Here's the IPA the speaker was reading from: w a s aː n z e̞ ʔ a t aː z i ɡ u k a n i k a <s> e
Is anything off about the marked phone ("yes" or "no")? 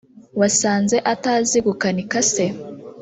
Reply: no